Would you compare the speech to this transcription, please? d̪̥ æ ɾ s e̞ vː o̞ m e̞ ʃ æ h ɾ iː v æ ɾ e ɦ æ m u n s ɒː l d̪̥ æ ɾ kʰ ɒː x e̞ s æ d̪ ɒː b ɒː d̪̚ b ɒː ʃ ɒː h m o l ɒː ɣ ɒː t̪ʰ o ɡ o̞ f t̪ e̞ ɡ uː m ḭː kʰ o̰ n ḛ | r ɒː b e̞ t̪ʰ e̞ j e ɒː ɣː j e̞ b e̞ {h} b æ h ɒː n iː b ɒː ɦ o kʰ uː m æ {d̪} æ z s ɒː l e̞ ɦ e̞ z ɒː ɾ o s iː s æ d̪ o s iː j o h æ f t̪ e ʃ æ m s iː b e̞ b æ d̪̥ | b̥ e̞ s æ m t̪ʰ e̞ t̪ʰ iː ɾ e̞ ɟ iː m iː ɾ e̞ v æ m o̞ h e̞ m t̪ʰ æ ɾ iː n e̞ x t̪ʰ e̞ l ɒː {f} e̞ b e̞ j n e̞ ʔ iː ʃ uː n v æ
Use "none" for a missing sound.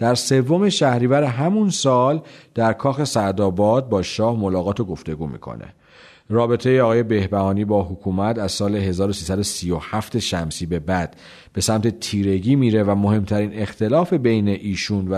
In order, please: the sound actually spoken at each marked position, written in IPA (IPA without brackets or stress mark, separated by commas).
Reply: h, t̪, f